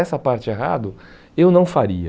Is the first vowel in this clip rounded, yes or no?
no